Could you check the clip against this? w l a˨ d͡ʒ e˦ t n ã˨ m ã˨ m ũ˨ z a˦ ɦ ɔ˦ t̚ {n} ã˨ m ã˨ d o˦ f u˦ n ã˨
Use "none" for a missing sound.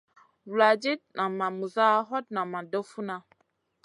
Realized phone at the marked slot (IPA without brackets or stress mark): n